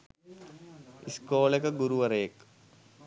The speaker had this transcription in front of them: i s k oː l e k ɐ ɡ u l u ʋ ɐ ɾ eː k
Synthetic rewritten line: i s k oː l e k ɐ ɡ u ɾ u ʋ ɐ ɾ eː k

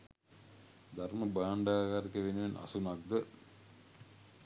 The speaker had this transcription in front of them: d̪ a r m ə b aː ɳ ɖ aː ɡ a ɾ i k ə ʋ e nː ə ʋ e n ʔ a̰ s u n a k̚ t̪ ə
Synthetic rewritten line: d̪ a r m ə b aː ɳ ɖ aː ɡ a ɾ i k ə ʋ e n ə ʋ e n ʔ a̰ s u n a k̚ d̪ ə

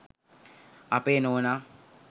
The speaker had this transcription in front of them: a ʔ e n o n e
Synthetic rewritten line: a p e n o n a

